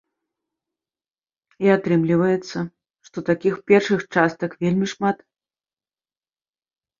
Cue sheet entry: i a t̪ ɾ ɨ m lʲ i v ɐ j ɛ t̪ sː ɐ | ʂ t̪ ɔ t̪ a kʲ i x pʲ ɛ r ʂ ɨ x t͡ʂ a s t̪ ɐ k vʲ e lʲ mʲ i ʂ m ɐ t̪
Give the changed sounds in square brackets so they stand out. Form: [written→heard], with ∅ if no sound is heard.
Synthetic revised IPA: i a t̪ ɾ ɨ m lʲ i v ɐ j ɛ t̪ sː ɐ | ʂ t̪ ɔ t̪ a kʲ i x pʲ ɛ r ʂ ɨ x t͡ʂ a s t̪ ɐ k vʲ e lʲ mʲ i ʂ m [ɐ→a] t̪

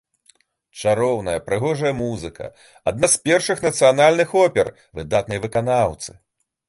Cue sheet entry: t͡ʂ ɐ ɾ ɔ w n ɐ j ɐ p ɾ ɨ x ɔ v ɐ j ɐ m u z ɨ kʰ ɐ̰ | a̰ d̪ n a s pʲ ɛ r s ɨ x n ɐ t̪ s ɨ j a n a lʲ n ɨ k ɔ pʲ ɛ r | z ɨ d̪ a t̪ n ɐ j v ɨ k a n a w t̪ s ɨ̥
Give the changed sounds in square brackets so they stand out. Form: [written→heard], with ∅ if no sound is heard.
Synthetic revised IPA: t͡ʂ [ɐ→a] ɾ ɔ w n ɐ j ɐ p ɾ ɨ [x→ɣ] ɔ [v→ʐ] ɐ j ɐ m u z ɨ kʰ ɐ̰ | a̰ d̪ n a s pʲ ɛ r [s→ʂ] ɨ x n ɐ t̪ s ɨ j a n a lʲ n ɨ [k→x] ɔ pʲ ɛ r | [z→v] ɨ d̪ a t̪ n ɐ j v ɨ k a n a w t̪ s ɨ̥

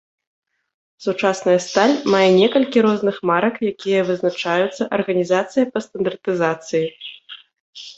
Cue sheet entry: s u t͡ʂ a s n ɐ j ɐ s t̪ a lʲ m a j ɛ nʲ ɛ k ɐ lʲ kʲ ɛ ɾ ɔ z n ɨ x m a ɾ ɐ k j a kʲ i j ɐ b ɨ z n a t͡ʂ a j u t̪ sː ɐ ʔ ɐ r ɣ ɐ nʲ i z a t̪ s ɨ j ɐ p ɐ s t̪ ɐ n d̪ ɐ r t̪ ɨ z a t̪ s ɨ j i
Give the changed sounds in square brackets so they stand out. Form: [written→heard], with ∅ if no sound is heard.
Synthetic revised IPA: s u t͡ʂ a s n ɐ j ɐ s t̪ a lʲ m a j ɛ nʲ ɛ k ɐ lʲ kʲ [ɛ→i] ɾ ɔ z n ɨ x m a ɾ ɐ k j a kʲ i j ɐ [b→v] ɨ z n a t͡ʂ a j u t̪ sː ɐ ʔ ɐ r ɣ ɐ nʲ i z a t̪ s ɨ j ɐ p ɐ s t̪ ɐ n d̪ ɐ r t̪ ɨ z a t̪ s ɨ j i

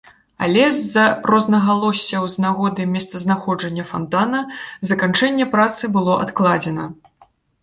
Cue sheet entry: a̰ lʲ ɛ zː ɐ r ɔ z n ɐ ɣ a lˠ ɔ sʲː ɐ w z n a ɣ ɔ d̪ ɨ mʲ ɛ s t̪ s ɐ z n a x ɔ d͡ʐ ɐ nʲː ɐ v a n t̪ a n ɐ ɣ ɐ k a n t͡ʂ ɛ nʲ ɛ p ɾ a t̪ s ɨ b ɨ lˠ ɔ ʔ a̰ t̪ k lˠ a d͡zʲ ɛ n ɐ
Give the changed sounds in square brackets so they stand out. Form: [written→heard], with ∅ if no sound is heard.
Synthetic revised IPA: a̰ lʲ ɛ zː ɐ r ɔ z n ɐ ɣ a lˠ ɔ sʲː ɐ w z n a ɣ ɔ d̪ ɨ mʲ ɛ s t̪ s ɐ z n a x ɔ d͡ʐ ɐ nʲː ɐ [v→f] a n t̪ a n ɐ [ɣ→z] ɐ k a n t͡ʂ ɛ [nʲ→nʲː] ɛ p ɾ a t̪ s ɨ b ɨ lˠ ɔ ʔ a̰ t̪ k lˠ a d͡zʲ ɛ n ɐ

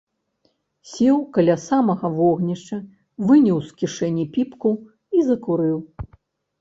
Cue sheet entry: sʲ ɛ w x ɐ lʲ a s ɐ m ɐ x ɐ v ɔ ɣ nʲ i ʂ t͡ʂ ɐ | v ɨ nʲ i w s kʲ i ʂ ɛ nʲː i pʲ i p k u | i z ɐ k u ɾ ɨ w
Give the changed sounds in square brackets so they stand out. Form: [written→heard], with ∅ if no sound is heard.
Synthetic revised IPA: sʲ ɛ w [x→k] ɐ lʲ a s [ɐ→a] m ɐ [x→ɣ] ɐ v ɔ ɣ nʲ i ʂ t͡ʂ ɐ | v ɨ nʲ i w s kʲ i ʂ ɛ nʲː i pʲ i p k u | i z ɐ k u ɾ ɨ w

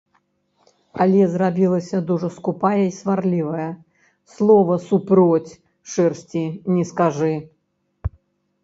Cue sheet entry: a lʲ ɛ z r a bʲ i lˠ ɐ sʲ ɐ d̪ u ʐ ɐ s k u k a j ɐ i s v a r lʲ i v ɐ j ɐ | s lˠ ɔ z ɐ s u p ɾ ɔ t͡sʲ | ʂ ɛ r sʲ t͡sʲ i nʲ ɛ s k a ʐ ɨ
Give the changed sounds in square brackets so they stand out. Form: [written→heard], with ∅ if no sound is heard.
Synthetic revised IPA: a lʲ ɛ z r a bʲ i lˠ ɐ sʲ ɐ d̪ u ʐ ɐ s k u [k→p] a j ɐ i s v a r lʲ i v ɐ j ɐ | s lˠ ɔ [z→v] ɐ s u p ɾ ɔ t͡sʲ | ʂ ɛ r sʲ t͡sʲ i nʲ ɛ s k a ʐ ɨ

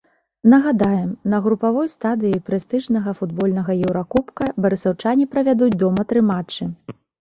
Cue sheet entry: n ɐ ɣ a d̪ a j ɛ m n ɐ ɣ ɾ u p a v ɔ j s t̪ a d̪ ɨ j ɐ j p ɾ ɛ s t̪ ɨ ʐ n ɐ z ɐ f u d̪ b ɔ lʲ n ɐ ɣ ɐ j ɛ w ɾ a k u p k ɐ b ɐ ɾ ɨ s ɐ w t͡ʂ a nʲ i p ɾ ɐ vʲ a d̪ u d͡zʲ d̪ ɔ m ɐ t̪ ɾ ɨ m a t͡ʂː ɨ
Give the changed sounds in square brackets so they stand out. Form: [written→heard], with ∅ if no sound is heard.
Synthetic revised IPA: n ɐ ɣ a d̪ a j ɛ m n ɐ ɣ ɾ u p a v ɔ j s t̪ a d̪ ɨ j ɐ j p ɾ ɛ s t̪ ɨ ʐ n ɐ [z→ɣ] ɐ f u d̪ b ɔ lʲ n ɐ ɣ ɐ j ɛ w ɾ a k u p k ɐ b ɐ ɾ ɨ s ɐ w t͡ʂ a nʲ i p ɾ ɐ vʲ a d̪ u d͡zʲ d̪ ɔ m ɐ t̪ ɾ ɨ m a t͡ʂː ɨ

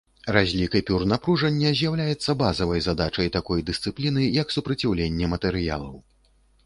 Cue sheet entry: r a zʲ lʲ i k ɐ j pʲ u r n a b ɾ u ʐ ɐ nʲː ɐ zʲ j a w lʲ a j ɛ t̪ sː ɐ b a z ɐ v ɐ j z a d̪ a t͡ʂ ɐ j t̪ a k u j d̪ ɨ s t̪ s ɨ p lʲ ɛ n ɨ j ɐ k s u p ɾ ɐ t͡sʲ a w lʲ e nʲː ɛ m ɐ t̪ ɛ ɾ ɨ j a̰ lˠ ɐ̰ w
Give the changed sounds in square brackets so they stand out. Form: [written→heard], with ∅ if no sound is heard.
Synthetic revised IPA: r a zʲ lʲ i k ɐ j pʲ u r n a [b→p] ɾ u ʐ ɐ nʲː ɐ zʲ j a w lʲ a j ɛ t̪ sː ɐ b a z ɐ v ɐ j z a d̪ a t͡ʂ ɐ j t̪ a k [u→ɔ] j d̪ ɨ s t̪ s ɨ p lʲ [ɛ→i] n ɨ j ɐ k s u p ɾ ɐ t͡sʲ a w lʲ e nʲː ɛ m ɐ t̪ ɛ ɾ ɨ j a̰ lˠ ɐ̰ w

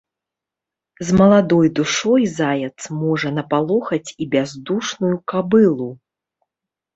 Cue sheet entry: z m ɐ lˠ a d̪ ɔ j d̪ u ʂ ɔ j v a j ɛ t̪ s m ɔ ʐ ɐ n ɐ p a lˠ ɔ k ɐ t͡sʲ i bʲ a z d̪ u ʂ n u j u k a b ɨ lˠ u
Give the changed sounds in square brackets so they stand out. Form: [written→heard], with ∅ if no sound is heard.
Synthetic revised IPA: z m ɐ lˠ a d̪ ɔ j d̪ u ʂ ɔ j [v→z] a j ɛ t̪ s m ɔ ʐ ɐ n ɐ p a lˠ ɔ [k→x] ɐ t͡sʲ i bʲ a z d̪ u ʂ n u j u k a b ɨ lˠ u

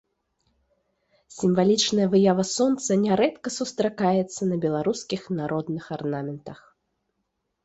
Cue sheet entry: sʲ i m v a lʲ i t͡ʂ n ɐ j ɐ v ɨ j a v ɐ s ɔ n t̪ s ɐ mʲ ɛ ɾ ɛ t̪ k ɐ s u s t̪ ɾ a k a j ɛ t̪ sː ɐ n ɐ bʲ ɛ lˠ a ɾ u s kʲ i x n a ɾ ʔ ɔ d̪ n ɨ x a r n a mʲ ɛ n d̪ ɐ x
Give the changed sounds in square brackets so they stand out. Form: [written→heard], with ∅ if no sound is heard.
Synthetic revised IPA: sʲ i m v a lʲ i t͡ʂ n ɐ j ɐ v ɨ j a v ɐ s ɔ n t̪ s ɐ [mʲ→nʲ] ɛ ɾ ɛ t̪ k ɐ s u s t̪ ɾ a k a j ɛ t̪ sː ɐ n ɐ bʲ ɛ lˠ a ɾ u s kʲ i x n a ɾ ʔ ɔ d̪ n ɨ x a r n a mʲ ɛ n [d̪→t̪] ɐ x

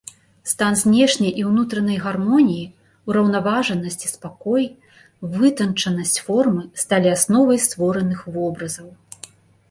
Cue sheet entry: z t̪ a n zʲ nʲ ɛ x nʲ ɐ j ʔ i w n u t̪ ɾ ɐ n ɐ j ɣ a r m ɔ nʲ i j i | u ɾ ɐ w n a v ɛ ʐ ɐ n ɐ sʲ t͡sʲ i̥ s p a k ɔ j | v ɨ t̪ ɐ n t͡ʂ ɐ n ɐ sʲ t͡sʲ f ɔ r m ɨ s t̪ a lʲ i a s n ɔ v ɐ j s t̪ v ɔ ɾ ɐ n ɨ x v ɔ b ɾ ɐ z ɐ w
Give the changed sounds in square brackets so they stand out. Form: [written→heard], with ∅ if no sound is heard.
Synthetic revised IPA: [z→s] t̪ a n zʲ nʲ ɛ [x→ʂ] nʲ ɐ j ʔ i w n u t̪ ɾ ɐ n ɐ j ɣ a r m ɔ nʲ i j i | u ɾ ɐ w n a v [ɛ→a] ʐ ɐ n ɐ sʲ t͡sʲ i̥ s p a k ɔ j | v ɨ t̪ ɐ n t͡ʂ ɐ n ɐ sʲ t͡sʲ f ɔ r m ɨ s t̪ a lʲ i a s n ɔ v ɐ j s t̪ v ɔ ɾ ɐ n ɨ x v ɔ b ɾ ɐ z ɐ w

